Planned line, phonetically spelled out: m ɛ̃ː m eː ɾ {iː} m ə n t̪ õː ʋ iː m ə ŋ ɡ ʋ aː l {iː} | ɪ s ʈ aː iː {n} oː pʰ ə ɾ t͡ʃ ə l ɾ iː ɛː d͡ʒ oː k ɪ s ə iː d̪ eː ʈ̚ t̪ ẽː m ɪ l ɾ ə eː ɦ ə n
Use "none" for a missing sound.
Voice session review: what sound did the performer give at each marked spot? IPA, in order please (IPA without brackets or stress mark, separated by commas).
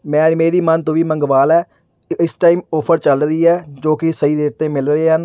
iː, ɛː, m